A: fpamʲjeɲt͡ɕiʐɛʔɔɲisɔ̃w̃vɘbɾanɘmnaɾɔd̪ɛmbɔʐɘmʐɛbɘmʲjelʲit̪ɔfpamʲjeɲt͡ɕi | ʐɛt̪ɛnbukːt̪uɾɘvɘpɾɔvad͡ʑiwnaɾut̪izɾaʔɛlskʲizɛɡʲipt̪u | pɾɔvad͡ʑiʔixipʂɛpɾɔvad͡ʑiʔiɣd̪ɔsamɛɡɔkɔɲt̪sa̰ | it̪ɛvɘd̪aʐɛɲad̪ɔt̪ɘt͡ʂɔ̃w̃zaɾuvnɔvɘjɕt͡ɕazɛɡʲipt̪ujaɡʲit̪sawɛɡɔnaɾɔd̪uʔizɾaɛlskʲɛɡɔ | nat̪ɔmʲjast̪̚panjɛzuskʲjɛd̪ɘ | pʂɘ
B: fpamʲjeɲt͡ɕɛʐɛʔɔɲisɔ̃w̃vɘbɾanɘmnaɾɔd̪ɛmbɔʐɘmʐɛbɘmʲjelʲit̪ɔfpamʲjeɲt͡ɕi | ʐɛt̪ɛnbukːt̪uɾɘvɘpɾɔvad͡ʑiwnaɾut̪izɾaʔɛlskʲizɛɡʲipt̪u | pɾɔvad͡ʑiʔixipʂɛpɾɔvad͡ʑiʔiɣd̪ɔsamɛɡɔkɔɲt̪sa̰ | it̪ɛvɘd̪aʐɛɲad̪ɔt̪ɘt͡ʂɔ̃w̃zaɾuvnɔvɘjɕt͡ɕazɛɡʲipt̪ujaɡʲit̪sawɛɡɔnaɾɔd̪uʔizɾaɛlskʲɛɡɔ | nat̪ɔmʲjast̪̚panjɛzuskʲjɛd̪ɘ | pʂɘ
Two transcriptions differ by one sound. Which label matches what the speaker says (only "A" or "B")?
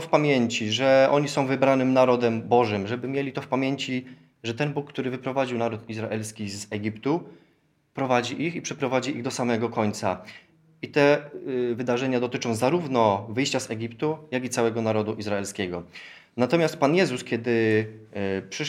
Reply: A